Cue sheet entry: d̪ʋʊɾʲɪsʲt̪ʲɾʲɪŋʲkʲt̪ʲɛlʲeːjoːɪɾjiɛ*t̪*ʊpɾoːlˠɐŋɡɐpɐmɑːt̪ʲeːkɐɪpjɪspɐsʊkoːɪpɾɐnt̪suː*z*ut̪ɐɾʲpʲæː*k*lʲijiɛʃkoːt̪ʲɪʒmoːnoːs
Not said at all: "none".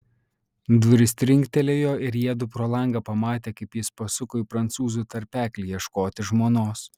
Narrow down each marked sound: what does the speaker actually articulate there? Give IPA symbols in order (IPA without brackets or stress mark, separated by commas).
d̪, z, k